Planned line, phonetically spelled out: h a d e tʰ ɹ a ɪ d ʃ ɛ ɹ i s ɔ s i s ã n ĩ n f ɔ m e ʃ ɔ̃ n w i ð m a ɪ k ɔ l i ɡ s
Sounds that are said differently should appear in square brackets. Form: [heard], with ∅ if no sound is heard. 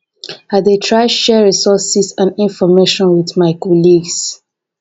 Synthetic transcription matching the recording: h a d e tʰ ɹ a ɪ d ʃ ɛ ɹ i s ɔ s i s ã n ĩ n f ɔ m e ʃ ɔ̃ n w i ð m a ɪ k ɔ l i ɡ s